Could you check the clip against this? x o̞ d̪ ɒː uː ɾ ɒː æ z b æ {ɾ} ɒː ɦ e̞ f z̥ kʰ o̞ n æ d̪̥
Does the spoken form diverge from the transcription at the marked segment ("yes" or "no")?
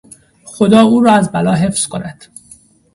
yes